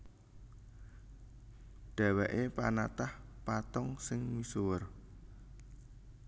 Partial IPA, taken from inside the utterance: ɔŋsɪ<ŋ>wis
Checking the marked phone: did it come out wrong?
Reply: no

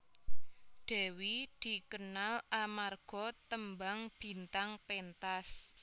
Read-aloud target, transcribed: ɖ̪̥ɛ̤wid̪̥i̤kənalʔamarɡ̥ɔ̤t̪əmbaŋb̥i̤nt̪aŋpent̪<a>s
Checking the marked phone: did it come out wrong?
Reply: no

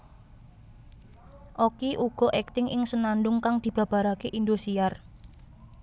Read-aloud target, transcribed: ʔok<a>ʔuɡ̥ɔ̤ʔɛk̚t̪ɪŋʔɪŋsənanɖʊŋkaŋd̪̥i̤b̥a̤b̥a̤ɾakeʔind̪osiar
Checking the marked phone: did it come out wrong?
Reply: yes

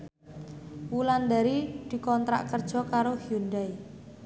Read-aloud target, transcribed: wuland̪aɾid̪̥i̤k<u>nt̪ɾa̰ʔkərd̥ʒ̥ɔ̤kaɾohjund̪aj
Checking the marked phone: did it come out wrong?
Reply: yes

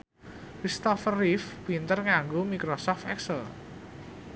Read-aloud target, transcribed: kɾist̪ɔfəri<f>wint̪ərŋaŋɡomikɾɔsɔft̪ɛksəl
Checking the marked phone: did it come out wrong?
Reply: no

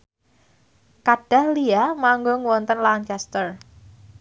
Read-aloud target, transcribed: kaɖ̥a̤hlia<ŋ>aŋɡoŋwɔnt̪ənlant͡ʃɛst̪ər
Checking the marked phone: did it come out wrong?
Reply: yes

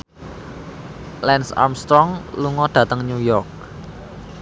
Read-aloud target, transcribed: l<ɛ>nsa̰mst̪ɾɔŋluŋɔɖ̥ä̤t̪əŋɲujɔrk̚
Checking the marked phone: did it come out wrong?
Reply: no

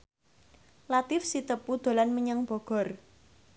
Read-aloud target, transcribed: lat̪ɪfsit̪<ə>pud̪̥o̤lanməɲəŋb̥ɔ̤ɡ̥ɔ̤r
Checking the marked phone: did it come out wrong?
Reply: no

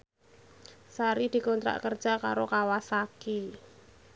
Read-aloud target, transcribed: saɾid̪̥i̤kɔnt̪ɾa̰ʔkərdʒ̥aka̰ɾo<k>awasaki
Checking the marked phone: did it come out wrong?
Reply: no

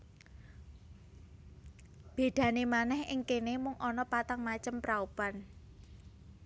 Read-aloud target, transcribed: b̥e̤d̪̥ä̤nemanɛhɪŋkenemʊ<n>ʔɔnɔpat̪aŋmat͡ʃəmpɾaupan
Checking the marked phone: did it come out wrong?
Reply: yes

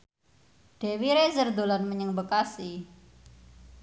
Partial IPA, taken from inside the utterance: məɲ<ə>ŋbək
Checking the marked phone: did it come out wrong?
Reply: no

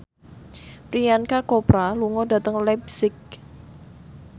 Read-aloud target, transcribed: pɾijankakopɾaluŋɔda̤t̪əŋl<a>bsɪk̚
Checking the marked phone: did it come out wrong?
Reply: yes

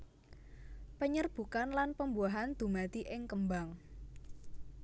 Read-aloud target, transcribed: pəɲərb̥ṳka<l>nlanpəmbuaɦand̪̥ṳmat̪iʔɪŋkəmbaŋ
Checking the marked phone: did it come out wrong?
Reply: yes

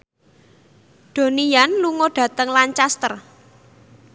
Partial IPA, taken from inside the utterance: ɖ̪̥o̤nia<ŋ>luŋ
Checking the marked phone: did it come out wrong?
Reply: yes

